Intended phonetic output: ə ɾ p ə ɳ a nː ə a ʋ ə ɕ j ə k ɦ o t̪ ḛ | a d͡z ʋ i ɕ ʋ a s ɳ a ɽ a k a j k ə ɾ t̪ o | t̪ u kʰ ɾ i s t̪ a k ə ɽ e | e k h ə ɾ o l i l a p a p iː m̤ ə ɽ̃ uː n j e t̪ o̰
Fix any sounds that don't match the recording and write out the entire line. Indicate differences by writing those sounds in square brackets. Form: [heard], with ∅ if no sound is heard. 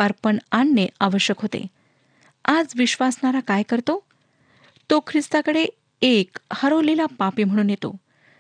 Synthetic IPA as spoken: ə ɾ p ə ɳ a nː ə a ʋ ə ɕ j ə k ɦ o t̪ ḛ | a d͡z ʋ i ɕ ʋ a s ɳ a [ɾ] a k a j k ə ɾ t̪ o | t̪ [o] kʰ ɾ i s t̪ a k ə ɽ e | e k h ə ɾ o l i l a p a p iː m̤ ə ɽ̃ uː n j e t̪ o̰